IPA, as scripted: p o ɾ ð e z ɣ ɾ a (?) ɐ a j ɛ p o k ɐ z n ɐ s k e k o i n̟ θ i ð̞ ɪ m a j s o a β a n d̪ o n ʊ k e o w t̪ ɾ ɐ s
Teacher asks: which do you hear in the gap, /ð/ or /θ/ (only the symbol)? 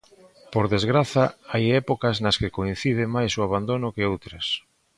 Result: θ